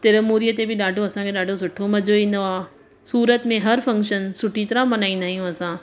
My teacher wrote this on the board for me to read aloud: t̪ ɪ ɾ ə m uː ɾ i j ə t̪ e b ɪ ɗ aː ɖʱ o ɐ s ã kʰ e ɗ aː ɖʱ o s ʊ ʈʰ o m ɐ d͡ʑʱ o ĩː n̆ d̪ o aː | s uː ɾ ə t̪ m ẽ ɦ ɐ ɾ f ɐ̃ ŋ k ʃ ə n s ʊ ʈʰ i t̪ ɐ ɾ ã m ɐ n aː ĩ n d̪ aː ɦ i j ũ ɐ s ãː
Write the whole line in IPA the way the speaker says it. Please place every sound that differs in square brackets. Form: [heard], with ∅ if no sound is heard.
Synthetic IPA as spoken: t̪ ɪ ɾ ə m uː ɾ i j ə t̪ e b ɪ ɗ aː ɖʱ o ɐ s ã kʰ e ɗ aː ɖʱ o s ʊ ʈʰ o m ɐ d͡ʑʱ o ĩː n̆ d̪ o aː | s uː ɾ ə t̪ m ẽ ɦ ɐ ɾ f ɐ̃ ŋ k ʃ ə n s ʊ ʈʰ i t̪ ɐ ɾ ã m ɐ n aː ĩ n d̪ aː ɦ i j ũ ɐ s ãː